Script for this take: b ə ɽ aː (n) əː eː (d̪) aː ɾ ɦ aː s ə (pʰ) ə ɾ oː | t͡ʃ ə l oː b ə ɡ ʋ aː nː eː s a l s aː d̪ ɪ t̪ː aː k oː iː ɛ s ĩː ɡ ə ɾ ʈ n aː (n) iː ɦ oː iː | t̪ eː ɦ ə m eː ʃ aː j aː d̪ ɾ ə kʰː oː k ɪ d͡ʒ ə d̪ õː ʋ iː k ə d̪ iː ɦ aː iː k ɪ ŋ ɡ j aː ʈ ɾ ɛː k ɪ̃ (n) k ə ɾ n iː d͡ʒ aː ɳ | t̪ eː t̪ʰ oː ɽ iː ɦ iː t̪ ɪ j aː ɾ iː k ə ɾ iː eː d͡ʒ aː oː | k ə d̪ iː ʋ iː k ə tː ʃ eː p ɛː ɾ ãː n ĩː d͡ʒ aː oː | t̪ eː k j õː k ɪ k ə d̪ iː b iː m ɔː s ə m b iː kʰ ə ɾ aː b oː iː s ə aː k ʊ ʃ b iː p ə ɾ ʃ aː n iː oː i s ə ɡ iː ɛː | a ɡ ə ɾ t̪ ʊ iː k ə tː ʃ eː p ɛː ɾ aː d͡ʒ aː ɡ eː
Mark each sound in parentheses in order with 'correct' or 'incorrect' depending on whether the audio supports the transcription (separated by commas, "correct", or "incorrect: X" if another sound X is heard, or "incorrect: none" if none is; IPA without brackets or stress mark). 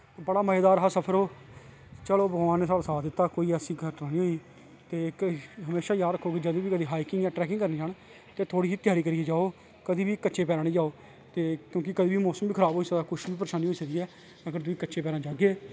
incorrect: m, correct, correct, correct, incorrect: ŋ